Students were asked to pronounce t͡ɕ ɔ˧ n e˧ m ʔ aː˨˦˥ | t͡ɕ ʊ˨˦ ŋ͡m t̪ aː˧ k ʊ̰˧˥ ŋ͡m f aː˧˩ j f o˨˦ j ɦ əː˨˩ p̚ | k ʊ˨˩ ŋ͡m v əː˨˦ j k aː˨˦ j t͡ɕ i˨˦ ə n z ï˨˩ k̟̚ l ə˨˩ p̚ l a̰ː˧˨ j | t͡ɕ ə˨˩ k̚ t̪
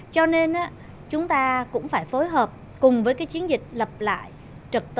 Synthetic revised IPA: t͡ɕ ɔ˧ n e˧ n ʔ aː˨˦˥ | t͡ɕ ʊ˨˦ ŋ͡m t̪ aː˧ k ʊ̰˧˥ ŋ͡m f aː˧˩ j f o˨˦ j ɦ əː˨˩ p̚ | k ʊ˨˩ ŋ͡m v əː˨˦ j k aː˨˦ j t͡ɕ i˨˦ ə n z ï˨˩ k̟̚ l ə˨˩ p̚ l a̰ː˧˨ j | t͡ɕ ə˨˩ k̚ t̪